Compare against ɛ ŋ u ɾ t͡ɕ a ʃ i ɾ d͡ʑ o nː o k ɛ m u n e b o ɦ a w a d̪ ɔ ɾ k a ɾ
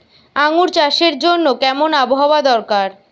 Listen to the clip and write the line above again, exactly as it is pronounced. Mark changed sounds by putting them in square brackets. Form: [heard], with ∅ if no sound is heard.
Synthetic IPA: [a] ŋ u ɾ t͡ɕ a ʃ [e] ɾ d͡ʑ o nː o k ɛ m [o] n [a] b o ɦ a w a d̪ ɔ ɾ k a ɾ